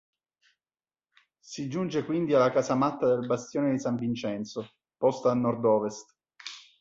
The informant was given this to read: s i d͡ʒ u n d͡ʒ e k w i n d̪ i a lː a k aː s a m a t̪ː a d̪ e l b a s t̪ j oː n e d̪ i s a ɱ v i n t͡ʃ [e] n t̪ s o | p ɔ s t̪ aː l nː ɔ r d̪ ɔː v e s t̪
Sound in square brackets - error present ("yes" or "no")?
yes